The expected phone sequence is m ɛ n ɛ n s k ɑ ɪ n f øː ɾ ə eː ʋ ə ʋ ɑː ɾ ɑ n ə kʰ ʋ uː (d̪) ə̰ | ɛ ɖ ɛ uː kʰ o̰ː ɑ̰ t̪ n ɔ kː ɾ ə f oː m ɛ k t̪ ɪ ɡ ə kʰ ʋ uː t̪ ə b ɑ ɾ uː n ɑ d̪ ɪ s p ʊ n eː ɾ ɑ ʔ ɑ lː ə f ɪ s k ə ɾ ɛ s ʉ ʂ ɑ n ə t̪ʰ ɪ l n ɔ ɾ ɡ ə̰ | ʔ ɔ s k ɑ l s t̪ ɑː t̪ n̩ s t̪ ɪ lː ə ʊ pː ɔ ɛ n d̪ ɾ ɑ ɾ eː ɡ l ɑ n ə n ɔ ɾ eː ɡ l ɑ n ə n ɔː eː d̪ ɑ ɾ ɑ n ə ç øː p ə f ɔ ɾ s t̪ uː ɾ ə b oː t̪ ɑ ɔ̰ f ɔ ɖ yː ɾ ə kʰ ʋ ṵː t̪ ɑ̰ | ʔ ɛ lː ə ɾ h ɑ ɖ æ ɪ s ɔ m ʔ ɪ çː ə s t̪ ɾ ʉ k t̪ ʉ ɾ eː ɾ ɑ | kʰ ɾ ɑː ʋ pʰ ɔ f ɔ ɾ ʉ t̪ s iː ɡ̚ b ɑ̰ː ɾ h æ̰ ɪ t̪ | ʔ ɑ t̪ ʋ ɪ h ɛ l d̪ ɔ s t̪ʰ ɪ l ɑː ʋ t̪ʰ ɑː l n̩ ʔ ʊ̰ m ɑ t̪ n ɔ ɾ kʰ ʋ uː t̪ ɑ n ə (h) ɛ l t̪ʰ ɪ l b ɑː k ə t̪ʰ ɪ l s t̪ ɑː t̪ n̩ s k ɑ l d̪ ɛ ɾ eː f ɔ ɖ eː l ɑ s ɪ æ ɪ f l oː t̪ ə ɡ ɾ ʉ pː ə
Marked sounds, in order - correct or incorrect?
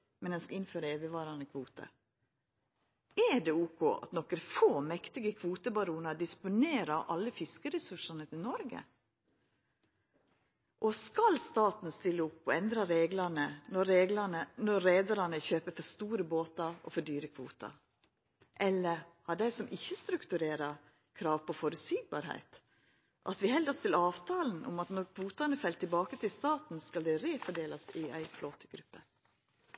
incorrect, incorrect

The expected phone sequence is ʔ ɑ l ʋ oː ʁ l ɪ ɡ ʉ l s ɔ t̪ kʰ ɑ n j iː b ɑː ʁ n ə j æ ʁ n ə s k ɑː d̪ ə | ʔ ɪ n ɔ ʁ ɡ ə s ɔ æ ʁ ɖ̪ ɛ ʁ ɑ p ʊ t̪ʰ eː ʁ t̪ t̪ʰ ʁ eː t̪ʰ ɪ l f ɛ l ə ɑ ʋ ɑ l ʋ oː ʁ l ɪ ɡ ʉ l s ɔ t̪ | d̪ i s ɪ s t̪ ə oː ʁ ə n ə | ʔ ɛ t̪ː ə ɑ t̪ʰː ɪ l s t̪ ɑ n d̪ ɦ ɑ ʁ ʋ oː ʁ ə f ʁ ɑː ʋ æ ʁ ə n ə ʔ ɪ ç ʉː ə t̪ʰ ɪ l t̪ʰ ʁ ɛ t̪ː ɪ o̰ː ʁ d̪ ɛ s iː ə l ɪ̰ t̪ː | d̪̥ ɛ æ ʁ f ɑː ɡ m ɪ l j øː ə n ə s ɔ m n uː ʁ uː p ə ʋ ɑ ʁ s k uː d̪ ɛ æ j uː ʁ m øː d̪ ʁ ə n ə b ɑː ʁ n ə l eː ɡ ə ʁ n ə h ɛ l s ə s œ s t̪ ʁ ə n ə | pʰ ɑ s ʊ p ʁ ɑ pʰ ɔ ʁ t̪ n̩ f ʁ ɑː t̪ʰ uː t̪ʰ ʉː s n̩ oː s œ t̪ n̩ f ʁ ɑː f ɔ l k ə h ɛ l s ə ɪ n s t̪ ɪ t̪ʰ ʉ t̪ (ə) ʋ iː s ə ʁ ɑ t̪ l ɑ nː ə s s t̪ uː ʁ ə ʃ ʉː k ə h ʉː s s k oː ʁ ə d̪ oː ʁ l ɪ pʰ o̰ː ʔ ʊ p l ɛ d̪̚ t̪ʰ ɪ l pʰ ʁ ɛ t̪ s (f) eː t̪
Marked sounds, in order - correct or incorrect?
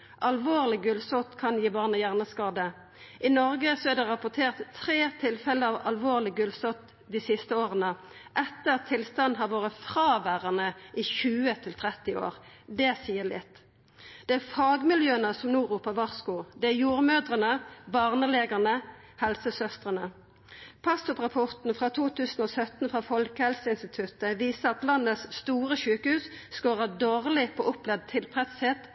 correct, incorrect

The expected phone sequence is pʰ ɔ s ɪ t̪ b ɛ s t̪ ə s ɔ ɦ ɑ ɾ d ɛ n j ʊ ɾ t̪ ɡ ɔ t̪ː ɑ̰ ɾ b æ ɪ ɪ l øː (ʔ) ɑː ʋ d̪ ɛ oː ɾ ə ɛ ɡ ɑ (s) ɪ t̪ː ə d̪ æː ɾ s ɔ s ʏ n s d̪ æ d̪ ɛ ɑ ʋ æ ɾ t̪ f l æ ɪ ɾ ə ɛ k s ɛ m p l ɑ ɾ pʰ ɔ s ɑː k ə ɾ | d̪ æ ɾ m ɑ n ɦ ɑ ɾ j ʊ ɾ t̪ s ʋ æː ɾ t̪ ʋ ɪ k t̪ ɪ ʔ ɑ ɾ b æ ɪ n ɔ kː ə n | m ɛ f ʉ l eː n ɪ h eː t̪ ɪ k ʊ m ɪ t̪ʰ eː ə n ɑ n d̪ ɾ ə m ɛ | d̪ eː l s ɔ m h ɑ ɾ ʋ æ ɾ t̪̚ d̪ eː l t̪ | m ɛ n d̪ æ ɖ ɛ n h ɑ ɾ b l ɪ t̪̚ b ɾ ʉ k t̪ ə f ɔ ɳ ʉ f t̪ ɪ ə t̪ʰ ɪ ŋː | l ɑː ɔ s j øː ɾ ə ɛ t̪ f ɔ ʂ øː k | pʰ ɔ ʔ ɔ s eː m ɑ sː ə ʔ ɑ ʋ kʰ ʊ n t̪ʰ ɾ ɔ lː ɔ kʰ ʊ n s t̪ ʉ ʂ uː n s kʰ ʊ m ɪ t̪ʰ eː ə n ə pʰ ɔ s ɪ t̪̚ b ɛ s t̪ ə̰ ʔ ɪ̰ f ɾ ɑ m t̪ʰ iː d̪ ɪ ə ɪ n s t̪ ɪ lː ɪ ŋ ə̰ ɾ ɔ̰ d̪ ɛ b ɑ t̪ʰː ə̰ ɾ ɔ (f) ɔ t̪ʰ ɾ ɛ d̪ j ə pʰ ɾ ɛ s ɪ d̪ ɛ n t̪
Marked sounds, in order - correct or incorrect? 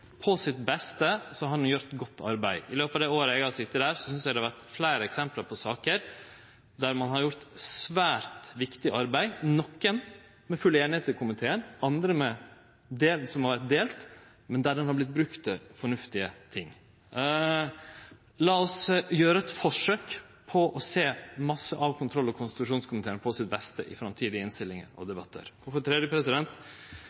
incorrect, correct, correct

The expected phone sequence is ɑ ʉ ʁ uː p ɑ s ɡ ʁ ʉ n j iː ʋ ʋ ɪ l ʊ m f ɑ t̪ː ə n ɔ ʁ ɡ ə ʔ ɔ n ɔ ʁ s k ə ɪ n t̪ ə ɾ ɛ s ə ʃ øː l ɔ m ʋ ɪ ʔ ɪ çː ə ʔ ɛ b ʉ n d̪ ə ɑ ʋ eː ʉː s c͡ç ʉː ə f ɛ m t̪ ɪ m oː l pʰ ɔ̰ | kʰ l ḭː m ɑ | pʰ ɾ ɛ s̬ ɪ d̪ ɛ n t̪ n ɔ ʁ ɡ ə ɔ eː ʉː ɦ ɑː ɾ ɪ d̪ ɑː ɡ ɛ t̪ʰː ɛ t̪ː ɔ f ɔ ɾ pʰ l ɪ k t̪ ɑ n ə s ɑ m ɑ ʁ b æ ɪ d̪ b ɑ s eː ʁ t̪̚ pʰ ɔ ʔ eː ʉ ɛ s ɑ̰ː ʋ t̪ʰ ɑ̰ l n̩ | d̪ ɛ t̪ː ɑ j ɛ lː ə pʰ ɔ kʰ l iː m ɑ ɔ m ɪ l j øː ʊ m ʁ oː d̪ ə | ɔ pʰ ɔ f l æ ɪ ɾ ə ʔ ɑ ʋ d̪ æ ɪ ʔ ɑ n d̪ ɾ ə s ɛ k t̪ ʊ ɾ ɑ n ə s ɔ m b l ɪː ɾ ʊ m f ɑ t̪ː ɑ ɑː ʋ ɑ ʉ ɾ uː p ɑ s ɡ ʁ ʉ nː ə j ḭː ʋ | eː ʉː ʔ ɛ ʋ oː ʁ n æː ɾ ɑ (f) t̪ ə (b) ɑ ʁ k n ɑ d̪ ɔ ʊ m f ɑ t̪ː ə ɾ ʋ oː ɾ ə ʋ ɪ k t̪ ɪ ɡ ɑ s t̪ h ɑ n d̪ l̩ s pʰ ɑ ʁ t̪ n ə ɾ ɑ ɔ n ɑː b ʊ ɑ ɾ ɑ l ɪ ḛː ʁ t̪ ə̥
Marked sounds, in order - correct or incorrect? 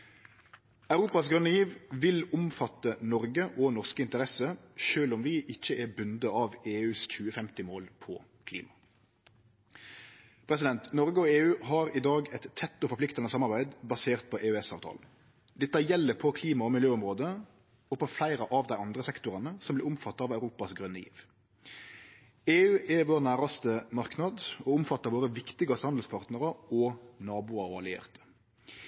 incorrect, incorrect

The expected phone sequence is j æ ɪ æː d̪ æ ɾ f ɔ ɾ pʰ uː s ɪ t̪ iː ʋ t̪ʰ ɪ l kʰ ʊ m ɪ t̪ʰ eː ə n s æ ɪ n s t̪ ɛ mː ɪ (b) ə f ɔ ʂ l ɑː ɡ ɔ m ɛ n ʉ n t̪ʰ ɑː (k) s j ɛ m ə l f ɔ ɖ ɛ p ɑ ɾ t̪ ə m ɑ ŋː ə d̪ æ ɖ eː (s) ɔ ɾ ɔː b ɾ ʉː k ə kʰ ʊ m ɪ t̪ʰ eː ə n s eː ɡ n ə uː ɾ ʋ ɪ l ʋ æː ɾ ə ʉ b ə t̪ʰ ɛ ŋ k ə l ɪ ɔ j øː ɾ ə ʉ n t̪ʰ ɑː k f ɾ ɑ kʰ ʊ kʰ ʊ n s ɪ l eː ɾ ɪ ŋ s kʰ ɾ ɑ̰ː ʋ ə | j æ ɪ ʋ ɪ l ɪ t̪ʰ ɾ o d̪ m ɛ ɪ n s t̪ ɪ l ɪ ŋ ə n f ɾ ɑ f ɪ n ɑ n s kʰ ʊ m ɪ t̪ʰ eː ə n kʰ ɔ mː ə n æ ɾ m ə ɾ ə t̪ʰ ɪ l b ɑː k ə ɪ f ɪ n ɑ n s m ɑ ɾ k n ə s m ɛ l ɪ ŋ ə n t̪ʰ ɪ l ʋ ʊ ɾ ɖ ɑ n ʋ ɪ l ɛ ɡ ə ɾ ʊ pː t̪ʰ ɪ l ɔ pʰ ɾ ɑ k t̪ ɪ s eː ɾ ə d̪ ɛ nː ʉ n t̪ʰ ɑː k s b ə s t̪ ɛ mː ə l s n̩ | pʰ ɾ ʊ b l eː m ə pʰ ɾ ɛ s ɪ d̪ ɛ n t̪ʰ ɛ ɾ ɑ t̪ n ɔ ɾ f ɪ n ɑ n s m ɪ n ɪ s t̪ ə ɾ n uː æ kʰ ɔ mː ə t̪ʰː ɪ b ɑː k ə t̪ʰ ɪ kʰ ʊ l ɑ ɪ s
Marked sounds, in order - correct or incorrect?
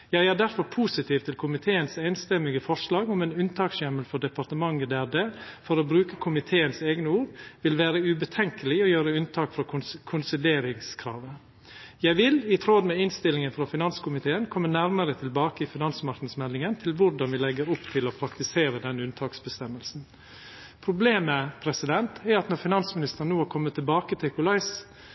incorrect, correct, incorrect

